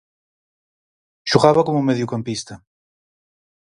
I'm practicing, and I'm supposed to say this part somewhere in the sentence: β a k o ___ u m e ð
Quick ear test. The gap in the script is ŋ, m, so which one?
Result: m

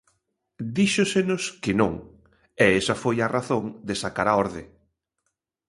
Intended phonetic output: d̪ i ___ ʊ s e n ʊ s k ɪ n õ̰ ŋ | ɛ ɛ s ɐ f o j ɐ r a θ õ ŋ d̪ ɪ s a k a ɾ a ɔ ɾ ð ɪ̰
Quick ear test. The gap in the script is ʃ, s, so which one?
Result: ʃ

